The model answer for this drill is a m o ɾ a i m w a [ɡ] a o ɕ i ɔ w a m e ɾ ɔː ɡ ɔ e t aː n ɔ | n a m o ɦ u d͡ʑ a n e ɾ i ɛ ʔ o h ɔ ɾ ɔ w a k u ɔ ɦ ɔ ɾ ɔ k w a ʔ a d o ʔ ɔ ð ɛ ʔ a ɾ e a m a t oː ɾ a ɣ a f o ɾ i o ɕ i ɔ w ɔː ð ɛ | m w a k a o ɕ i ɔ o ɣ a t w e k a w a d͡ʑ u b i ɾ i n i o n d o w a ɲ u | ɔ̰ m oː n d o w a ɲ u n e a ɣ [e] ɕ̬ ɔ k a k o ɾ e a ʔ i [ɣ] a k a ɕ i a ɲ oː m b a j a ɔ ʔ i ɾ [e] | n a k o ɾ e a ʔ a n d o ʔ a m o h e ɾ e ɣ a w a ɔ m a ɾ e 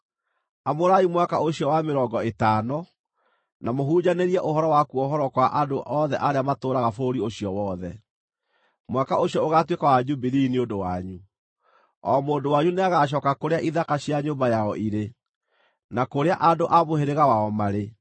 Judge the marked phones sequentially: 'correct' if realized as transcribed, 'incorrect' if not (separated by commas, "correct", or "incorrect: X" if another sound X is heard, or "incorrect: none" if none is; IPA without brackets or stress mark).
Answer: incorrect: k, incorrect: a, incorrect: ð, correct